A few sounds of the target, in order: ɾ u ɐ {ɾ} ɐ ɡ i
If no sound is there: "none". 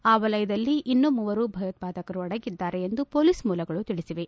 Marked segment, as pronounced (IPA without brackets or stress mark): ɽ